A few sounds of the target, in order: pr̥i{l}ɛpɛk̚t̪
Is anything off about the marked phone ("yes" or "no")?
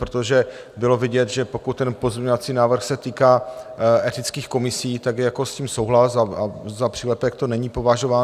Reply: no